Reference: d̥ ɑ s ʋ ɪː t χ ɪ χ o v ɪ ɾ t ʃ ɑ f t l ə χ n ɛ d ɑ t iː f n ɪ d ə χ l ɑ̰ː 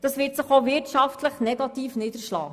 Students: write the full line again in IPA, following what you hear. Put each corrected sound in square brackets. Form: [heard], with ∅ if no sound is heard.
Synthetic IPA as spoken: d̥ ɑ s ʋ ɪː t [s] ɪ χ o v ɪ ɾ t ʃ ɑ f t l ə χ n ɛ [ɡ] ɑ t iː f n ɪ d ə [ʃ] l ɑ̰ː